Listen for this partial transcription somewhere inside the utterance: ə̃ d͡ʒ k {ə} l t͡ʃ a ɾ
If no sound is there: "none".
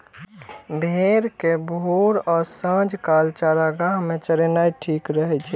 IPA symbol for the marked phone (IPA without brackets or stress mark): a